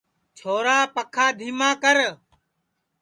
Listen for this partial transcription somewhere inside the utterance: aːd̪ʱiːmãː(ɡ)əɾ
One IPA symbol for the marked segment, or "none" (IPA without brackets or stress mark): k